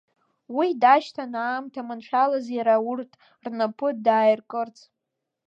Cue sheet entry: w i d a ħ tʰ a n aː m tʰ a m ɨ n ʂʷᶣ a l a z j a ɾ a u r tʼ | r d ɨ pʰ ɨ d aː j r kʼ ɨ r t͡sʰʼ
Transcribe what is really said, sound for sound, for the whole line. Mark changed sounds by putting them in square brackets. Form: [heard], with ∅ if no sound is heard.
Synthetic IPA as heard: w i d a [ʃ] tʰ a n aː m tʰ a m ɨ n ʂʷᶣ a l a z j a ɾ a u r tʼ | r [n] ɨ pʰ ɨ d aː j r kʼ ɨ r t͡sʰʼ

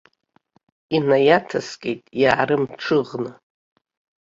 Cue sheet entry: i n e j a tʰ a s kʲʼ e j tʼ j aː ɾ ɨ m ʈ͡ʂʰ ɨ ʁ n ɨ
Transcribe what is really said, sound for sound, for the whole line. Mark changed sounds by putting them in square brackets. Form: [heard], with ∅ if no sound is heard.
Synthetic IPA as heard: i n [a] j a tʰ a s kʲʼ e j tʼ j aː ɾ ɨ m ʈ͡ʂʰ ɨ ʁ n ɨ

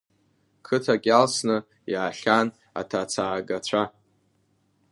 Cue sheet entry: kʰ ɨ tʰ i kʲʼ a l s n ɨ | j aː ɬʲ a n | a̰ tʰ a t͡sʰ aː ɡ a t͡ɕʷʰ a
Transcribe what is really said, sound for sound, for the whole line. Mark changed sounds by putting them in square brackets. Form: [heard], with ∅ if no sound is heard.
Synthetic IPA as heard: kʰ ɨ tʰ [a] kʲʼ a l s n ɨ | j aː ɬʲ a n | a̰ tʰ a t͡sʰ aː ɡ a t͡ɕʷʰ a

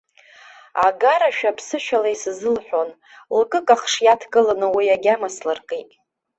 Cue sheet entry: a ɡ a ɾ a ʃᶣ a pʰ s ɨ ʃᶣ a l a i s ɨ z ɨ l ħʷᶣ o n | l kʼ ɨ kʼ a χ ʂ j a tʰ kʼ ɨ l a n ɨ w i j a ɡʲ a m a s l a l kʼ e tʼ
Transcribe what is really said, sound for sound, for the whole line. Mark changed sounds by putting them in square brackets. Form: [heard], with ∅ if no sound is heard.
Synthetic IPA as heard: a ɡ a ɾ a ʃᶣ a pʰ s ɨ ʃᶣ a l a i s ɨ z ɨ l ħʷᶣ o n | l kʼ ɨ kʼ a χ ʂ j a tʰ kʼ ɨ l a n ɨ w i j a ɡʲ a m a s l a [r] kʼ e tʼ

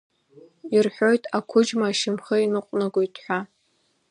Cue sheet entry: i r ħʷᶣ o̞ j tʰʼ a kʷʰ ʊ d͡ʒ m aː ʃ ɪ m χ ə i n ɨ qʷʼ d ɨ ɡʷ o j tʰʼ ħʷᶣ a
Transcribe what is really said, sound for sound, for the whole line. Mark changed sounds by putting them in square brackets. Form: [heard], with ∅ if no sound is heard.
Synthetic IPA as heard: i r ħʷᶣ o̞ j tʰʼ a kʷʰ ʊ d͡ʒ m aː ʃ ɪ m χ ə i n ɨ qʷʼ [n] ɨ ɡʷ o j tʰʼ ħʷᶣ a

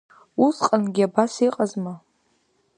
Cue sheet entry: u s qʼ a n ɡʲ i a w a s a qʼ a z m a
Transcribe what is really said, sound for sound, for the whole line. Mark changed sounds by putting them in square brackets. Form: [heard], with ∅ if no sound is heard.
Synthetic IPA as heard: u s qʼ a n ɡʲ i a [b] a s [i] qʼ a z m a

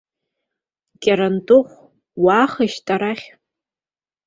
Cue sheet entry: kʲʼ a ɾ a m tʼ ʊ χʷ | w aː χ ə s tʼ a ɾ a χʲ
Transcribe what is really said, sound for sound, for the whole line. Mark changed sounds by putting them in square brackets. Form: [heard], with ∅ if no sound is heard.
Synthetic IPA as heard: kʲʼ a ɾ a [n] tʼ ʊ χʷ | w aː χ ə [ʃ] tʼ a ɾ a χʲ

